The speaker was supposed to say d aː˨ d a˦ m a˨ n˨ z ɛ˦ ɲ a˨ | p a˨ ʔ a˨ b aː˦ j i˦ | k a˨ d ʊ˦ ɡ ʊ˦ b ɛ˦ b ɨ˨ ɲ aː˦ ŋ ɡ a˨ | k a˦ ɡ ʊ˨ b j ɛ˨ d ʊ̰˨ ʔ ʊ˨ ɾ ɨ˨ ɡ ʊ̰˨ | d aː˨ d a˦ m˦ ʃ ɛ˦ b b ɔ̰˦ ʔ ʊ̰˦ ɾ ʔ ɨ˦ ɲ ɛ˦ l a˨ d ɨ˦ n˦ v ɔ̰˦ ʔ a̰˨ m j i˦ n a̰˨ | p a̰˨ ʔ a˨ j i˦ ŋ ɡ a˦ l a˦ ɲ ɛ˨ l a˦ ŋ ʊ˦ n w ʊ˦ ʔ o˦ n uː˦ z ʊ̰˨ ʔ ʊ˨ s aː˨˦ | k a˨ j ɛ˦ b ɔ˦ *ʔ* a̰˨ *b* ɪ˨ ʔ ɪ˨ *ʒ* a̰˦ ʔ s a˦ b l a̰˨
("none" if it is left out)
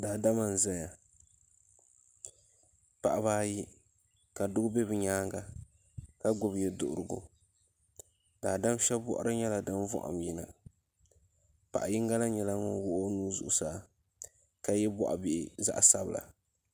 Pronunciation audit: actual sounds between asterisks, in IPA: ʔ, b, z

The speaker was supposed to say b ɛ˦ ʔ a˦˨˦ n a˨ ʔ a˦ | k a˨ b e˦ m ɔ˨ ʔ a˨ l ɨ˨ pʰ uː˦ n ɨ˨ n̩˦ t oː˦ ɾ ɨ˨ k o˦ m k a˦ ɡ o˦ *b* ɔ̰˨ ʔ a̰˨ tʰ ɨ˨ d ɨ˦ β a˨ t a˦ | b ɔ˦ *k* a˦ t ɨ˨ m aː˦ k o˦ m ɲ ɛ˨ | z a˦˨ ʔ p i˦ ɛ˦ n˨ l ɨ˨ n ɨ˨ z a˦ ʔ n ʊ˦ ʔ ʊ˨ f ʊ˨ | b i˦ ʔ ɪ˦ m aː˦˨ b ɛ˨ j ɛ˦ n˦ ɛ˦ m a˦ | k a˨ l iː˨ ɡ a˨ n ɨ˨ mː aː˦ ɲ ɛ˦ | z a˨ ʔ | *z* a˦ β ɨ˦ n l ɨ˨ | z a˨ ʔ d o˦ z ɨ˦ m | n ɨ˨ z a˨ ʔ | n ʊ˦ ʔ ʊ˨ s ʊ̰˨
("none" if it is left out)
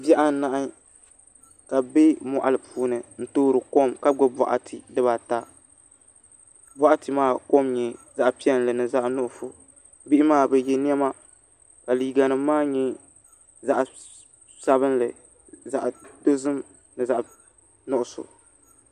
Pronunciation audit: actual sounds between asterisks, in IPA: b, ʔ, s

